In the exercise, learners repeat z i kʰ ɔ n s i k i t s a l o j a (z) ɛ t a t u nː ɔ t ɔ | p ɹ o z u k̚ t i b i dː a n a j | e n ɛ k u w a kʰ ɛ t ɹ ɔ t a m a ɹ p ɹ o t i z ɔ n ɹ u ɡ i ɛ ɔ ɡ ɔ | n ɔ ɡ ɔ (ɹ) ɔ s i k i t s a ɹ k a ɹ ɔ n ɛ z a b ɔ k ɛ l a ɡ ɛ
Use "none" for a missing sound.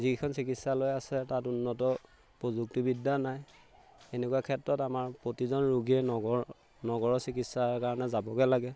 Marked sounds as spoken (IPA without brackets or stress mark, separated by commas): s, ɹ